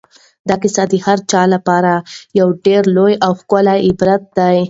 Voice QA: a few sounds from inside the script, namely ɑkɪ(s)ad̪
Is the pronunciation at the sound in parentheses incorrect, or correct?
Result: correct